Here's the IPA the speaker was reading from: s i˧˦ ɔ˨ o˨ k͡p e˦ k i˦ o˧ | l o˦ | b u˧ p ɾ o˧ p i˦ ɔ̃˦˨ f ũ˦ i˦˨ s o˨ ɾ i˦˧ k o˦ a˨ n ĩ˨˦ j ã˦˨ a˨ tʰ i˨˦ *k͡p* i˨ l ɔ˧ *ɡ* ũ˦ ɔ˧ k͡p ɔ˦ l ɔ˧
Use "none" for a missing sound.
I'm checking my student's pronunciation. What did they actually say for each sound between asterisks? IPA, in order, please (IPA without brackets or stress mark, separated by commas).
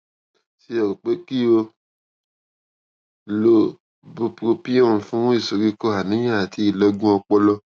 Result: none, ɡ